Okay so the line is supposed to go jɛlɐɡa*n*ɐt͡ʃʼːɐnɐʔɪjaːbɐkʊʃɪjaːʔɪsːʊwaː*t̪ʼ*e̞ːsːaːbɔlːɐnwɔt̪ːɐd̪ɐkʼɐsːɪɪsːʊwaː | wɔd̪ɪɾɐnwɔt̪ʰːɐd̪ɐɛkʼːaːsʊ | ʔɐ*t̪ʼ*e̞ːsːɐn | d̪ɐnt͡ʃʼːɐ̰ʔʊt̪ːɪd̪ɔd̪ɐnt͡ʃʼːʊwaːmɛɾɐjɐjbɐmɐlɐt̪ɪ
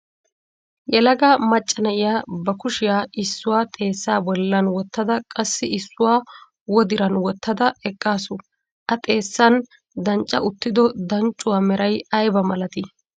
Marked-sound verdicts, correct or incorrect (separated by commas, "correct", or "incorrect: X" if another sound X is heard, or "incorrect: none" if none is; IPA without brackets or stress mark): incorrect: m, correct, correct